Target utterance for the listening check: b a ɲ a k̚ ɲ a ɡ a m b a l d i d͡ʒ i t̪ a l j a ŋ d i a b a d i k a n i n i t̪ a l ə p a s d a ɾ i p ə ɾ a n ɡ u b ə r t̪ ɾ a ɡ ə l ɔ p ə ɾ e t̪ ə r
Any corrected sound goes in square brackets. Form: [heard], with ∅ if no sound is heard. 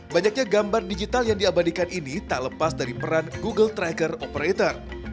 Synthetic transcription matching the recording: b a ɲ a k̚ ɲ a ɡ a m b a [r] d i d͡ʒ i t̪ a l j a ŋ d i a b a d i k a n i n i t̪ a l ə p a s d a ɾ i p ə ɾ a n ɡ u [ɡ] ə [l] t̪ ɾ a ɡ ə [r] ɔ p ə ɾ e t̪ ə r